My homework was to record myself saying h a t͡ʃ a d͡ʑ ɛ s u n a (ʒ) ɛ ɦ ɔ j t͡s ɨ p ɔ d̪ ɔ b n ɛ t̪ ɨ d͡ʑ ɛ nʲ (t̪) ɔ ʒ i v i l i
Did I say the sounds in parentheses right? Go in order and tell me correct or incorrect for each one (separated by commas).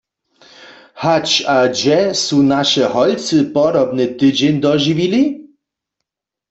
incorrect, incorrect